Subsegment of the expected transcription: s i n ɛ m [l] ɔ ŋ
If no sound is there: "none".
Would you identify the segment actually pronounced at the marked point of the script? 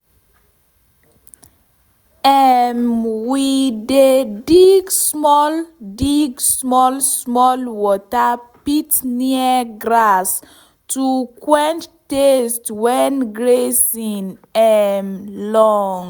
l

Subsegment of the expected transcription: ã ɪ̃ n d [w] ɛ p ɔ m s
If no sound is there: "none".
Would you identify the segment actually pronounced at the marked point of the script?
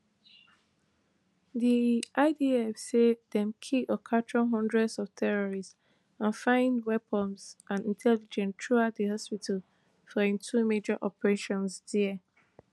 w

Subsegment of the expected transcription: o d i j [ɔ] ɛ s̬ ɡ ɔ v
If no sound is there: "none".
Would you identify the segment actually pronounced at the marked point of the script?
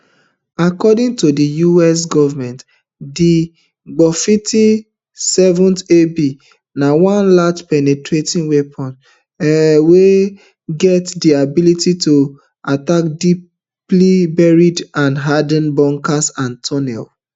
u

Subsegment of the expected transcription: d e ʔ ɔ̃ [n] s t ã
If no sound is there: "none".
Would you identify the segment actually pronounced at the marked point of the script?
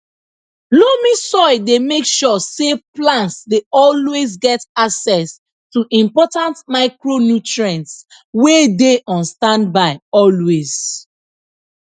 n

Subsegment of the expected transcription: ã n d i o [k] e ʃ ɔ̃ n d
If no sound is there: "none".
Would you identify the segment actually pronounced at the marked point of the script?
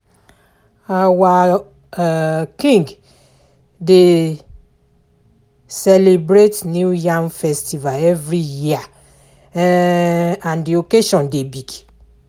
k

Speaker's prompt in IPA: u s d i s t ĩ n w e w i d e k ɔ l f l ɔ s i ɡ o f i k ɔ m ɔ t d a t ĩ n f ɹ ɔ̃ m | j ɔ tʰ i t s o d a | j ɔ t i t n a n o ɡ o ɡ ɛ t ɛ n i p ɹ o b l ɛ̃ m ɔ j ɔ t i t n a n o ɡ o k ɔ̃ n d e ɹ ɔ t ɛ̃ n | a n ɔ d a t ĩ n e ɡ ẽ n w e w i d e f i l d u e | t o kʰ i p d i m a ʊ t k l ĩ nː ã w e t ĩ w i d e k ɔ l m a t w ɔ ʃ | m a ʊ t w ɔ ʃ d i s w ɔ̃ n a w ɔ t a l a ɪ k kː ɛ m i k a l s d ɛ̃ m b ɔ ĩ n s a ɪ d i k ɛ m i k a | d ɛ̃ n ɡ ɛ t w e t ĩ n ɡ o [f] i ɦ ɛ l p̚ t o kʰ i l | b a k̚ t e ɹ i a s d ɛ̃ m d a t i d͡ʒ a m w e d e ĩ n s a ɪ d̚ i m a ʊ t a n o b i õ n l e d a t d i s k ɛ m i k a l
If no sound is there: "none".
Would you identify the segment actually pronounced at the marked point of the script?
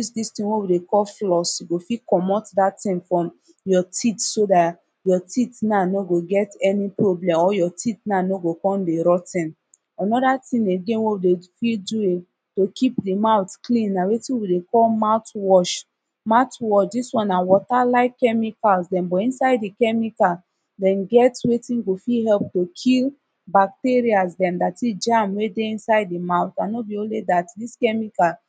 f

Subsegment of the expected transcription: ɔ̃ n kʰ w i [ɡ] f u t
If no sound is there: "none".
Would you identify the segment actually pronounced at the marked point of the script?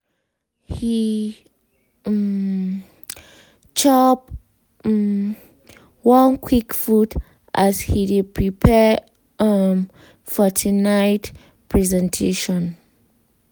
k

